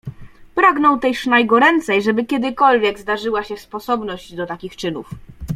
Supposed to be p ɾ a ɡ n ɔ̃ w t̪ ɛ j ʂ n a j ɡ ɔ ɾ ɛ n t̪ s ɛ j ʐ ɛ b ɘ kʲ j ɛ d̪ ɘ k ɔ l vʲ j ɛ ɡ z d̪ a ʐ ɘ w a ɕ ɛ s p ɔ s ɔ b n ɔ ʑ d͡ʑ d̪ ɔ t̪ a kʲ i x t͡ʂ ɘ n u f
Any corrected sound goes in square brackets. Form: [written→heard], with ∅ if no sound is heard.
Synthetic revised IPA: p ɾ a ɡ n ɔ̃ w t̪ ɛ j ʂ n a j ɡ ɔ ɾ ɛ n t̪ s ɛ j ʐ ɛ b ɘ kʲ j ɛ d̪ ɘ k ɔ l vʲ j ɛ ɡ z d̪ a ʐ ɘ w a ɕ ɛ s p ɔ s ɔ b n ɔ ʑ d͡ʑ d̪ ɔ t̪ a kʲ i x t͡ʂ ɘ n u f